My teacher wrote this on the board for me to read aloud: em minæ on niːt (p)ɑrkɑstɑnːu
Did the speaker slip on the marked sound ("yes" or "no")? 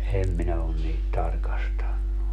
yes